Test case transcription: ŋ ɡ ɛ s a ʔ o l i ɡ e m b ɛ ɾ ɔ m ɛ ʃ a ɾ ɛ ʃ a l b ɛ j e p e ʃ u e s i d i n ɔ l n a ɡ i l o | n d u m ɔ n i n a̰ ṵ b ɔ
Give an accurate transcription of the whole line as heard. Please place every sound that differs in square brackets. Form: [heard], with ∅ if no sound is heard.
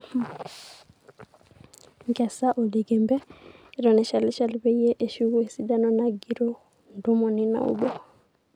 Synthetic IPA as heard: ŋ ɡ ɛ s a ʔ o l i ɡ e m b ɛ ɾ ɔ [n] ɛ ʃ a [l] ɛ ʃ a l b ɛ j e [ʔ] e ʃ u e s i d [a] n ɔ [∅] n a ɡ i [ɾ] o | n d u m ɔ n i n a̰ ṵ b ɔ

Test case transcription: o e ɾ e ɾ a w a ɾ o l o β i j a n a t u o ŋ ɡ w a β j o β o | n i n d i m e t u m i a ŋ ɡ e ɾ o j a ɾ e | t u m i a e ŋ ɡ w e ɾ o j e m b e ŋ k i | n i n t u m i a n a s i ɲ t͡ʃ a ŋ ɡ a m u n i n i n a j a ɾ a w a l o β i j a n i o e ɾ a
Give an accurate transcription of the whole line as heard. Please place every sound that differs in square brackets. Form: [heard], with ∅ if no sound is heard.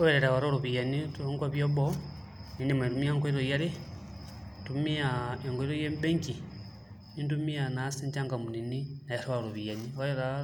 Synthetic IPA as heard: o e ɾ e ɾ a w a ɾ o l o β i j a n [i] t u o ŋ ɡ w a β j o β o | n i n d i m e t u m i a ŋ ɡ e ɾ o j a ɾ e | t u m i a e ŋ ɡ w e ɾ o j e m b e ŋ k i | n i n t u m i a n a s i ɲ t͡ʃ a ŋ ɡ a m u n i n i n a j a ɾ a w a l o β i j a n i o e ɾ a

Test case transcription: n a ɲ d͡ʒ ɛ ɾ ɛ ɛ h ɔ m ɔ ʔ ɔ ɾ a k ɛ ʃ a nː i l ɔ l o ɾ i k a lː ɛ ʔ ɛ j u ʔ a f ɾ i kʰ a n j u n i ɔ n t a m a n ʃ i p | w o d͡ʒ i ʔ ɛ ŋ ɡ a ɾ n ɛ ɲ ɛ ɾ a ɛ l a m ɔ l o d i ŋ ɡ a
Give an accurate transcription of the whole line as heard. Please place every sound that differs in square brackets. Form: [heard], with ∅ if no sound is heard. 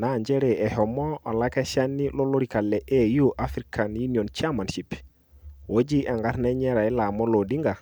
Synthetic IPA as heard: n a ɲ d͡ʒ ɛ ɾ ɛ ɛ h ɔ m ɔ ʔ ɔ [l] a k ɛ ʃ a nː i l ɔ l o ɾ i k a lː ɛ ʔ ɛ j u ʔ a f ɾ i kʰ a n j u n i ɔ n [t͡ʃ] a m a n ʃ i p | w o d͡ʒ i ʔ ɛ ŋ ɡ a ɾ n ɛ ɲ ɛ ɾ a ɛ l a m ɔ l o d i ŋ ɡ a

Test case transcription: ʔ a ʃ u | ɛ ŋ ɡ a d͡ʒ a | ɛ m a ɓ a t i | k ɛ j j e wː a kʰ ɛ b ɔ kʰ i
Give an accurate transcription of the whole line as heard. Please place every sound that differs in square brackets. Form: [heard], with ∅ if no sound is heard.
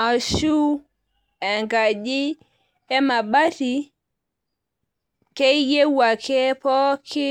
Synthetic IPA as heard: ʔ a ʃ u | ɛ ŋ ɡ a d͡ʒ [i] | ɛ m a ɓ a t i | k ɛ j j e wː a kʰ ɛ [p] ɔ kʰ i

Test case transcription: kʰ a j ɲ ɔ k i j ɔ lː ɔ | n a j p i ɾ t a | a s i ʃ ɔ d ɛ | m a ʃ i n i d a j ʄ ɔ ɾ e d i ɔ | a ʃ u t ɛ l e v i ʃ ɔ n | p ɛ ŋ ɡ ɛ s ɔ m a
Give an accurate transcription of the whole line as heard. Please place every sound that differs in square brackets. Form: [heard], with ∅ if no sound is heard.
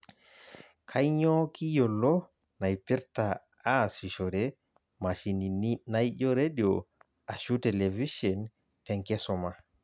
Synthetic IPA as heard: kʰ a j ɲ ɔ k i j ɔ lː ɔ | n a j p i ɾ t a | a s i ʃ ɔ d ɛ | m a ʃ i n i [n] a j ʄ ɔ ɾ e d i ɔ | a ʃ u t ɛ l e v i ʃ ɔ n | [t] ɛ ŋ [k] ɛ s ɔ m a

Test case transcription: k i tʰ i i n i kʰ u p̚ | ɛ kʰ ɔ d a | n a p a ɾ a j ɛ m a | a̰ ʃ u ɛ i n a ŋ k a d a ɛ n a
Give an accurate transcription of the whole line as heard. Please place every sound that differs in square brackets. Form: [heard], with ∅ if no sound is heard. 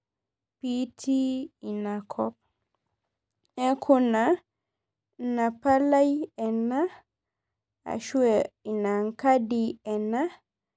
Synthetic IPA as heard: [p] i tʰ i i n [a] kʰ [ɔ] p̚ | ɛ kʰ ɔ [n] a | n a p a [l] a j ɛ [n] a | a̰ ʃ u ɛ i n a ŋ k a d [i] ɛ n a

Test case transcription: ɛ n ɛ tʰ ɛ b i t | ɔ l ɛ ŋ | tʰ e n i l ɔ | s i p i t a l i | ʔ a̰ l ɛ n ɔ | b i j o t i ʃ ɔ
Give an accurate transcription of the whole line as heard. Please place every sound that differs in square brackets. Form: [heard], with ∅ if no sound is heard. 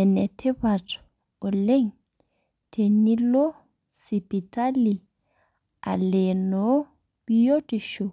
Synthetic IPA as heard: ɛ n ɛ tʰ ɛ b [a] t | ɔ l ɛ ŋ | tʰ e n i l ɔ | s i p i t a l i | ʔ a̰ l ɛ n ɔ | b i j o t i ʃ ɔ

